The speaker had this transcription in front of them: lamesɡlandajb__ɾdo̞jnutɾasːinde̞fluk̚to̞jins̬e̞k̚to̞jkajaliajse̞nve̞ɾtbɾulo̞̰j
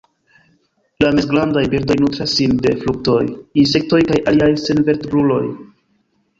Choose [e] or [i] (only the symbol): i